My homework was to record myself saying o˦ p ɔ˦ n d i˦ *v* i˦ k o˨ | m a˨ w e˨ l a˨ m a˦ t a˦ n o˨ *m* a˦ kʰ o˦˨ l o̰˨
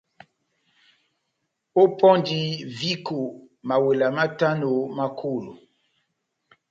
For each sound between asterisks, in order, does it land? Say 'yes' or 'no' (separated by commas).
yes, yes